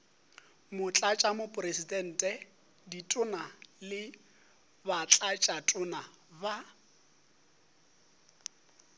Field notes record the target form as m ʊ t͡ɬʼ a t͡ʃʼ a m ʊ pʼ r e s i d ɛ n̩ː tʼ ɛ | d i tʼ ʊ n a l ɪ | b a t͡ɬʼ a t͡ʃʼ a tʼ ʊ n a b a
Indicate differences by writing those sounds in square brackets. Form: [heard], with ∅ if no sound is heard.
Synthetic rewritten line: m ʊ t͡ɬʼ a t͡ʃʼ a m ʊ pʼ r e s i d ɛ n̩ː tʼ ɛ | d i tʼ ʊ n a l ɪ | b a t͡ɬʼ a t͡ʃʼ a tʼ ʊ n a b a